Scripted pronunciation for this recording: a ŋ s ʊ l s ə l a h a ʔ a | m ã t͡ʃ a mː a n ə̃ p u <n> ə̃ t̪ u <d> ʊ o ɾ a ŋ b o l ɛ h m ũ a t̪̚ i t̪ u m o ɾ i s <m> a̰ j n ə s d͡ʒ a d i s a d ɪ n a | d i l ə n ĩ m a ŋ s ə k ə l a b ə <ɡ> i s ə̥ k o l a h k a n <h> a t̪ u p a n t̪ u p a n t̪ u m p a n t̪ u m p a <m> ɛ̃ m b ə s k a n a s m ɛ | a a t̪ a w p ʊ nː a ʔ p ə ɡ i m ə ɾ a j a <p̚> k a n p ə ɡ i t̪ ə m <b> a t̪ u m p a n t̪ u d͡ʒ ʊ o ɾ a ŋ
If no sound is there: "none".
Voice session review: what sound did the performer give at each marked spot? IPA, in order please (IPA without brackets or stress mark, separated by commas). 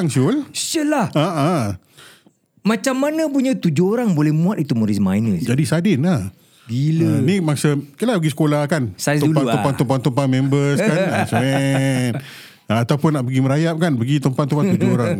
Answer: ɲ, d͡ʒ, m, ɡ, s, m, p̚, p